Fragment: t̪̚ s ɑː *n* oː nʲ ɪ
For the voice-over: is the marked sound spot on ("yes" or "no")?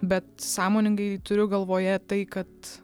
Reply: no